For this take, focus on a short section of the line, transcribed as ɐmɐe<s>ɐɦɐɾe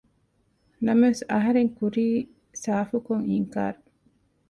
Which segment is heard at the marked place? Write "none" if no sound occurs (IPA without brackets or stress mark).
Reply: s